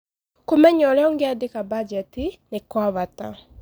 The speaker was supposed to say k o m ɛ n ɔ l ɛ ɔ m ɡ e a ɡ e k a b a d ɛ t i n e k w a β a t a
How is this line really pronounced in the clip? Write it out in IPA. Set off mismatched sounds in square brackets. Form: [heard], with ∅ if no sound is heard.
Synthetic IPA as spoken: k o m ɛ [ɲ] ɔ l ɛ ɔ [ŋ] ɡ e a [d] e k a b a [d͡ʒ] ɛ t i n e k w a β a t a